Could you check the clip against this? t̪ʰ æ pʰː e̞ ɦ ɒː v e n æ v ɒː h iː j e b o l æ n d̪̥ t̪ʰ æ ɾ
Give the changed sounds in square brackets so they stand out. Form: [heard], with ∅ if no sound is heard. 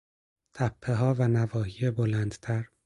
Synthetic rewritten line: t̪ʰ æ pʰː e̞ ɦ ɒː v [æ] n æ v ɒː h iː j e b o l æ n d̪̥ t̪ʰ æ ɾ